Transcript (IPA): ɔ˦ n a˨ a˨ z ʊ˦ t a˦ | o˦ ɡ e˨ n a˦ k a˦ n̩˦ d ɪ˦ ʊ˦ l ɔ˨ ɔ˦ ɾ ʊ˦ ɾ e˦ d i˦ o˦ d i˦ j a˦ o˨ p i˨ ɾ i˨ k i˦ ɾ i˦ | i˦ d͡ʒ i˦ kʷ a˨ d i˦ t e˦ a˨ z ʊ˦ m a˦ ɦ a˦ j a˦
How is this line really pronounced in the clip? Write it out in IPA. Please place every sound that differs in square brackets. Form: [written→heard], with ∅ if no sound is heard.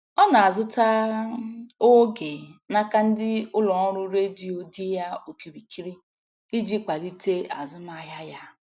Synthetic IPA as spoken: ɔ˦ n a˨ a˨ z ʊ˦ t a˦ | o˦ ɡ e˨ n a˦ k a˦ n̩˦ d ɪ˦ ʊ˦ l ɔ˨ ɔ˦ ɾ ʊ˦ ɾ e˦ d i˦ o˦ d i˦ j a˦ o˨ [p→k] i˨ ɾ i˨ k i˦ ɾ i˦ | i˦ d͡ʒ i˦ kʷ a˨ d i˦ t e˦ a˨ z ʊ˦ m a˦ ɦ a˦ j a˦